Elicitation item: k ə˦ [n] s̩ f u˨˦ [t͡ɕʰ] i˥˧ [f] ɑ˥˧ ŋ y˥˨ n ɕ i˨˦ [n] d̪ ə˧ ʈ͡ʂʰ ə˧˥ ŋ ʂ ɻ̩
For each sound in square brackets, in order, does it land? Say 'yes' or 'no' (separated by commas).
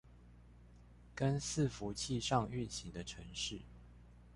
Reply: yes, yes, no, no